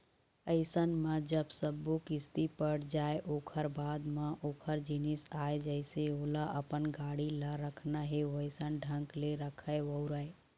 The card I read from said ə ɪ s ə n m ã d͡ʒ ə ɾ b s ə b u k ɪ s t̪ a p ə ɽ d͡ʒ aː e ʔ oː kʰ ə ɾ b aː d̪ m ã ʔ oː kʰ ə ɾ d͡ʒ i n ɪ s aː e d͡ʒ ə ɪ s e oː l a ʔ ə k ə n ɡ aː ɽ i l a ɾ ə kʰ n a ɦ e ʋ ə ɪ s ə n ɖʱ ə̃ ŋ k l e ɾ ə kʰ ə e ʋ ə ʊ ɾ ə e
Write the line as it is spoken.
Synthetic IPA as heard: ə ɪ s ə n m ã d͡ʒ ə b s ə b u k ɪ s t̪ i p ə ɽ d͡ʒ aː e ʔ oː kʰ ə ɾ b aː d̪ m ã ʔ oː kʰ ə ɾ d͡ʒ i n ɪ s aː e d͡ʒ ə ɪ s e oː l a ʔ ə p ə n ɡ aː ɽ i l a ɾ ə kʰ n a ɦ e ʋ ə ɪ s ə n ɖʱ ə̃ ŋ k l e ɾ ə kʰ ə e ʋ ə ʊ ɾ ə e